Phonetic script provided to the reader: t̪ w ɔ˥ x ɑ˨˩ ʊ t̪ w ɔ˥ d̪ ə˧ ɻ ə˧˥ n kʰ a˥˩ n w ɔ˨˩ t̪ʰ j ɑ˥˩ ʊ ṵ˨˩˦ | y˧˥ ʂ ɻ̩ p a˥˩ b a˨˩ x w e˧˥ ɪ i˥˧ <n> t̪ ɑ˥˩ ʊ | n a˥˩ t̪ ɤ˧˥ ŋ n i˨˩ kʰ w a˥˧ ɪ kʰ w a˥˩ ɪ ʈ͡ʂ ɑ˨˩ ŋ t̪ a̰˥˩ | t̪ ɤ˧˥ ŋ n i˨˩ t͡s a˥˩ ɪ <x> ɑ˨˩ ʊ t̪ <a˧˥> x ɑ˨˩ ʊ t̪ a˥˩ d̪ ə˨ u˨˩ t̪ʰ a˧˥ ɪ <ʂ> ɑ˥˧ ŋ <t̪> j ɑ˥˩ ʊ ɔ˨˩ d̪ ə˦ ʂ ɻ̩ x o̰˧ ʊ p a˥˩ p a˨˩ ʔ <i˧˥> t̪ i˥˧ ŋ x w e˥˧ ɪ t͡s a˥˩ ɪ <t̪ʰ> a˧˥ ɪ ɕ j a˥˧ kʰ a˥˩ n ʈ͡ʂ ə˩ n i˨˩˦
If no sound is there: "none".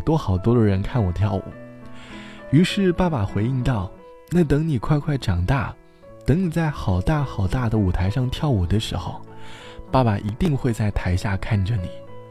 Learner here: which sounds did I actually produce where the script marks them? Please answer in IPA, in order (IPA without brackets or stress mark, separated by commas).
ŋ, x, a˥˩, ʂ, t̪ʰ, i˧˥, t̪ʰ